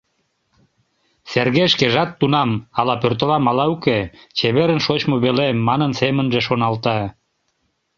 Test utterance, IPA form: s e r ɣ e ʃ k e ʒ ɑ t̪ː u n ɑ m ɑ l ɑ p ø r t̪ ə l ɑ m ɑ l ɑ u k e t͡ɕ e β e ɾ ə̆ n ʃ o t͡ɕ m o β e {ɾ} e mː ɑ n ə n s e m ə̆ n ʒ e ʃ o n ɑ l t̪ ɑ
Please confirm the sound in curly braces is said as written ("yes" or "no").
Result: no